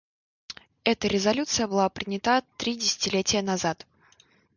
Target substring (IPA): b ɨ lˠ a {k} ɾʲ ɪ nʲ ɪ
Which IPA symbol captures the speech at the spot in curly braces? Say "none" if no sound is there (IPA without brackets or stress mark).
p